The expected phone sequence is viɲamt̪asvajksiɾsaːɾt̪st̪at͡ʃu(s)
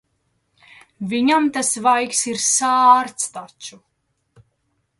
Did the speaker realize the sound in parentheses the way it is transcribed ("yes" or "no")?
no